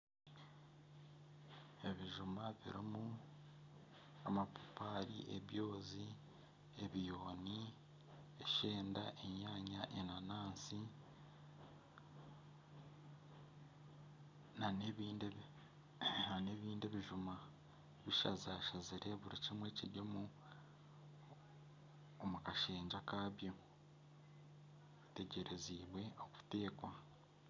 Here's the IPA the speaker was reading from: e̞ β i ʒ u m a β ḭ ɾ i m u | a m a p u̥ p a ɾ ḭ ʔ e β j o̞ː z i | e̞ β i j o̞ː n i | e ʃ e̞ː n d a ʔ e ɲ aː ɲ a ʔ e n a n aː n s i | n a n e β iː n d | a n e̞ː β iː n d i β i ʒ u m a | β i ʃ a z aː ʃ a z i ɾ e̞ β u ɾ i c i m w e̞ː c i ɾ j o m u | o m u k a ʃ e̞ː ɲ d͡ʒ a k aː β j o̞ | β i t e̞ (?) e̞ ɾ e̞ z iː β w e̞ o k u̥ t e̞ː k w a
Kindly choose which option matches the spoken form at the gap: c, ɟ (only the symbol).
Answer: ɟ